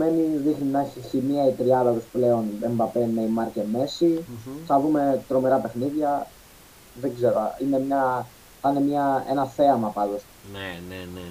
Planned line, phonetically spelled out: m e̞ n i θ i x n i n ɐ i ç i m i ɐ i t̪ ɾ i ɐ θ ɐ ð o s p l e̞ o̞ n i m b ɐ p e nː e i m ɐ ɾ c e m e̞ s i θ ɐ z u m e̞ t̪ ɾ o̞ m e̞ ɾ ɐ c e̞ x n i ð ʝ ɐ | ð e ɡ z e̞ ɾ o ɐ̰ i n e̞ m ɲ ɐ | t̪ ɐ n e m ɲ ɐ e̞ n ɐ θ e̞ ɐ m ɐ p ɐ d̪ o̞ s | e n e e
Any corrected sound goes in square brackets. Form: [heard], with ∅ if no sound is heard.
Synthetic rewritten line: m e̞ n i [ð] i x n i n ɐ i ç i m i ɐ i t̪ ɾ i ɐ [ð] ɐ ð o s p l e̞ o̞ n [e] m b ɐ p e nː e i m ɐ ɾ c e m e̞ s i θ ɐ [ð] u m e̞ t̪ ɾ o̞ m e̞ ɾ ɐ [p] e̞ x n i ð ʝ ɐ | ð e ɡ z e̞ ɾ o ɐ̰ i n e̞ m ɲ ɐ | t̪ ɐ n e m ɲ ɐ e̞ n ɐ θ e̞ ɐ m ɐ p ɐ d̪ o̞ s | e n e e